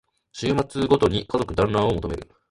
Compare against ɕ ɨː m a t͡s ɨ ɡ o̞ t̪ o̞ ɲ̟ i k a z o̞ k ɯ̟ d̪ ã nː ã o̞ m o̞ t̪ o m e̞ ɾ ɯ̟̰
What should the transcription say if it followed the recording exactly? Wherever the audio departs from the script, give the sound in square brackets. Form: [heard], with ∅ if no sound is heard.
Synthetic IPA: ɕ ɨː m a t͡s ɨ ɡ o̞ t̪ o̞ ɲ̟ i k a z o̞ k ɯ̟ d̪ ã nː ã o̞ m o̞ t̪ o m e̞ ɾ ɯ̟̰